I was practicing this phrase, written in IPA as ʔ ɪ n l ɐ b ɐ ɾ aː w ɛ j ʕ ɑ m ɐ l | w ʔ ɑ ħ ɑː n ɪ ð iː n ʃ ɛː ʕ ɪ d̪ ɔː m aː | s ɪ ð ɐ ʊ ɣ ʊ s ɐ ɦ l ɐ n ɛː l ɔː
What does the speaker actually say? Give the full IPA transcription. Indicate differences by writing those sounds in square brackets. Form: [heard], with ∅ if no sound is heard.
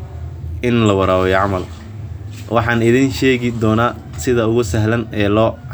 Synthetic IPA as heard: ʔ ɪ n l ɐ [w] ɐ ɾ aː w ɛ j ʕ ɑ m ɐ l | w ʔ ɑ ħ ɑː n ɪ ð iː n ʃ ɛː [ɣ] ɪ d̪ ɔː [n] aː | s ɪ ð ɐ ʊ ɣ ʊ s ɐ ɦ l ɐ n ɛː l ɔː